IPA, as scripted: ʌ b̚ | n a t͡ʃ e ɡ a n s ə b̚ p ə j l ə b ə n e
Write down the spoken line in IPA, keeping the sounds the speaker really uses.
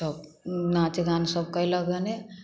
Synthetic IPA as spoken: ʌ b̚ | n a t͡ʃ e ɡ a n s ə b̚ k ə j l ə ɡ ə n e